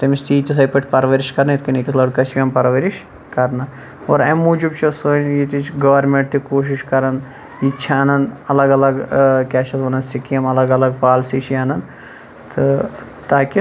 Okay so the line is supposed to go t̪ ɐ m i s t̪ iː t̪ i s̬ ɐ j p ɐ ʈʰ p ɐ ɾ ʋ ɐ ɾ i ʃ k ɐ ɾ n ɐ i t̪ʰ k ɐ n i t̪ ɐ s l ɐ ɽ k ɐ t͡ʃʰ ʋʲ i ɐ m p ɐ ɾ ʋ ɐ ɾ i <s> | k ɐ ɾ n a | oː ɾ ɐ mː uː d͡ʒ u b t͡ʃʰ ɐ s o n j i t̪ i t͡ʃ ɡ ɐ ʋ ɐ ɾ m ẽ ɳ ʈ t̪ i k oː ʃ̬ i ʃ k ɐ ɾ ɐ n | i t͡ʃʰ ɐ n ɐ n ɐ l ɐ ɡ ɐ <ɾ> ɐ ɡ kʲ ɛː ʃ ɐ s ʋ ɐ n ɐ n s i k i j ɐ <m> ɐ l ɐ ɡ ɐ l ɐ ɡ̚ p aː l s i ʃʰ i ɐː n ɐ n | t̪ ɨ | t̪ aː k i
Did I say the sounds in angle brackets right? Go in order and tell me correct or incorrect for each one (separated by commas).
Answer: incorrect, incorrect, correct